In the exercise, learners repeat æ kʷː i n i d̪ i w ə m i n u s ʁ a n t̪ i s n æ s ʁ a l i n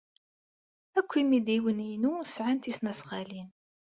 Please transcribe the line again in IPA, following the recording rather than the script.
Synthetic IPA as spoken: æ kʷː i m i d̪ i w ə n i n u s ʕ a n t̪ i s n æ s ʁ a l i n